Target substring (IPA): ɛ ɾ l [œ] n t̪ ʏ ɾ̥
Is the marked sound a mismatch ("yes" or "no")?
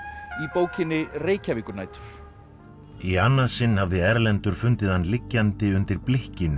yes